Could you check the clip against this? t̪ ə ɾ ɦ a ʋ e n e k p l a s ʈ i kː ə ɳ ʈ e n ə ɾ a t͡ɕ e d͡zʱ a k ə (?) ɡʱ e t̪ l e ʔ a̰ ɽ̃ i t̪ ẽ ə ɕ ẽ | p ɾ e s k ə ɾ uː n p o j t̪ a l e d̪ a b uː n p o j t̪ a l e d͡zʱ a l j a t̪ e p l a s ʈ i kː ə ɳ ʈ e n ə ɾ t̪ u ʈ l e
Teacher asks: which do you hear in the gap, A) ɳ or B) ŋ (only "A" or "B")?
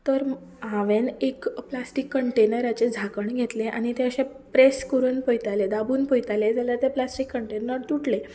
A